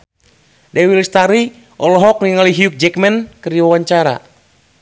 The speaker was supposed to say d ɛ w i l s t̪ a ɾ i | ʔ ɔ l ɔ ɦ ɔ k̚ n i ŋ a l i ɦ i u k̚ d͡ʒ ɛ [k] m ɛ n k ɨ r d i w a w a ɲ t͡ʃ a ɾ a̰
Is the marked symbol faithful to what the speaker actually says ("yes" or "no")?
yes